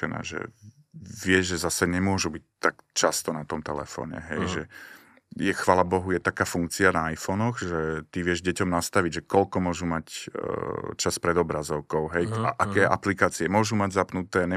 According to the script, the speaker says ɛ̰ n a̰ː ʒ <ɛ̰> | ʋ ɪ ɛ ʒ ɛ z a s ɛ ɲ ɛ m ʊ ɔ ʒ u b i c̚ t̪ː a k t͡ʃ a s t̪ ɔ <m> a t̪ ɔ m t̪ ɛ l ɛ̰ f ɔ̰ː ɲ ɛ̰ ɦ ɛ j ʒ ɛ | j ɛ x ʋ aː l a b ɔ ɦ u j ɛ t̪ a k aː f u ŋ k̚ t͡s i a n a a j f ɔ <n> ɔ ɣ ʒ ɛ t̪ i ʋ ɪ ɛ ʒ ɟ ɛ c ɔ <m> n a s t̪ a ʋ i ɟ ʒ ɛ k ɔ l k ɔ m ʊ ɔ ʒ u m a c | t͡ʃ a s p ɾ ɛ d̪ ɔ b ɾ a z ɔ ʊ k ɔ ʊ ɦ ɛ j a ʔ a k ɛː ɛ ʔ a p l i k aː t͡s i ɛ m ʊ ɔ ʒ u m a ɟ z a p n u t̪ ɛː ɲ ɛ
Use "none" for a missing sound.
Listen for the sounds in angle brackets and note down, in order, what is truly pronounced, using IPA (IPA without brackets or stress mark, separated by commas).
ɛ̰, n, n, m